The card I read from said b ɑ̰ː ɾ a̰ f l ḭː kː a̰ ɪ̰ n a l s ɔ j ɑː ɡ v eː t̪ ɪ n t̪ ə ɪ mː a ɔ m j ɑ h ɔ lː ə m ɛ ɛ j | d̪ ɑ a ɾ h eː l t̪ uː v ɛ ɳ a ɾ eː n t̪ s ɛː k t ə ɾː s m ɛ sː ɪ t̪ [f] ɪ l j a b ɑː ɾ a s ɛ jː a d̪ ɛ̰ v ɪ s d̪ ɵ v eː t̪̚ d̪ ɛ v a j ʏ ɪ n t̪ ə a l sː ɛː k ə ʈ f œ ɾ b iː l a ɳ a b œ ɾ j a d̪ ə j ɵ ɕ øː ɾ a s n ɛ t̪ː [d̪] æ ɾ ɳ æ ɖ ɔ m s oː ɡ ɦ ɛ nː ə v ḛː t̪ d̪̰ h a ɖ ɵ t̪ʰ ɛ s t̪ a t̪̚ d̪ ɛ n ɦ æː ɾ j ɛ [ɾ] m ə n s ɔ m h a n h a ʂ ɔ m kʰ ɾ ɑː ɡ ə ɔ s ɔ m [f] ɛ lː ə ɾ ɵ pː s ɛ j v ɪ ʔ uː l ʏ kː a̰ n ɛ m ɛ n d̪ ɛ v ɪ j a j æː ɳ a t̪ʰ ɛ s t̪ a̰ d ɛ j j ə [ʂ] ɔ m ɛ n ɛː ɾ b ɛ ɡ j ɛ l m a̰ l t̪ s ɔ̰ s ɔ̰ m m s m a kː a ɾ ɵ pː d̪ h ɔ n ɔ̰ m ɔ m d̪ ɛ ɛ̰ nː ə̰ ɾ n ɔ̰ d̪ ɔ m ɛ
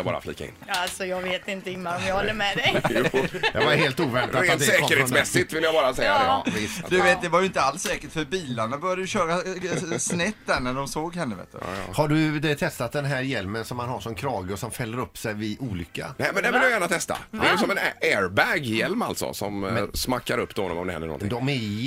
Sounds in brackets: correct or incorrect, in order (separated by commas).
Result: incorrect, correct, incorrect, correct, incorrect